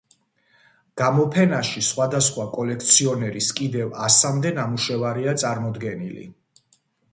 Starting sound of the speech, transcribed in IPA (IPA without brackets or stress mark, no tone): ɡ̥